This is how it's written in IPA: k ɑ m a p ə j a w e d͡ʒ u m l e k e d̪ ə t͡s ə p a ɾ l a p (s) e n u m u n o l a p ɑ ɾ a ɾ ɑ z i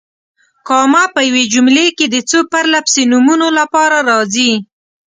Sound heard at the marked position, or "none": s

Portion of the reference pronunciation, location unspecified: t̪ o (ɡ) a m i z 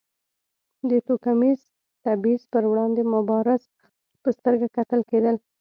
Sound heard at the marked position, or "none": k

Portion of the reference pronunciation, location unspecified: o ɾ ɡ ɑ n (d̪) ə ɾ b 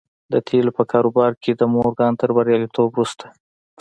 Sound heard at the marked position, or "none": t̪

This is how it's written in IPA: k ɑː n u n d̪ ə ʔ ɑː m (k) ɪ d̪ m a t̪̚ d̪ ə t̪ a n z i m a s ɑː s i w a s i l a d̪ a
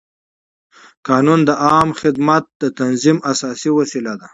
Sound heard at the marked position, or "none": x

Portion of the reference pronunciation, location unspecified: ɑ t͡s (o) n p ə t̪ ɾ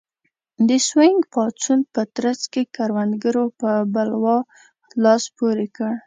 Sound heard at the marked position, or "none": u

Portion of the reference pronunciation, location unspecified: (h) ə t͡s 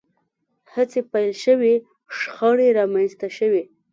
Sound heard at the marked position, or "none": h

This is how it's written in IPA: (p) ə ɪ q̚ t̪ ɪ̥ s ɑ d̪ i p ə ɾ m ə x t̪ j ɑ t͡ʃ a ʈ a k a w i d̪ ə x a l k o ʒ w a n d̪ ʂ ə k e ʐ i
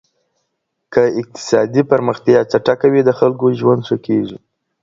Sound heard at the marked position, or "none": k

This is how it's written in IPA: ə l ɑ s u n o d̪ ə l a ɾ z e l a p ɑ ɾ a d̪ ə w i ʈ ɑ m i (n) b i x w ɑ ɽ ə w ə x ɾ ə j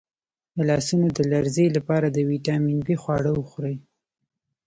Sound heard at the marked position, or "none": n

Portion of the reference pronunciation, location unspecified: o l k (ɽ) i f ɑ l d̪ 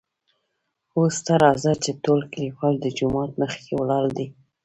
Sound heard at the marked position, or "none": l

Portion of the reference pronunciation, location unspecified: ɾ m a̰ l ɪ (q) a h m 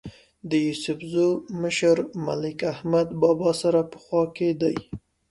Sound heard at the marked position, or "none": k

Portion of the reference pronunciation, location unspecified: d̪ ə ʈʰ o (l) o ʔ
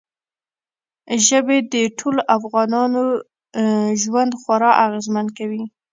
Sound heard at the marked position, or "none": l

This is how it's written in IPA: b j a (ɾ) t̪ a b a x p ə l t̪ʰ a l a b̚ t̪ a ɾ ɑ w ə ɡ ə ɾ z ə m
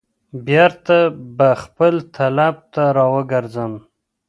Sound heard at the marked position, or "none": ɾ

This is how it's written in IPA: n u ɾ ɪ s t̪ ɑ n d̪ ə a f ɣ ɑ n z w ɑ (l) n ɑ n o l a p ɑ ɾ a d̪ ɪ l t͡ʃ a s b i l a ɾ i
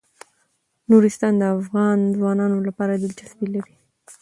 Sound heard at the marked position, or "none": none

